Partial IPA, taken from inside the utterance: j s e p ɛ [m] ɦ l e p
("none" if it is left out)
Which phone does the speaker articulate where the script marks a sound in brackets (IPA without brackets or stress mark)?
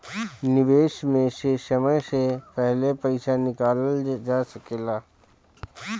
none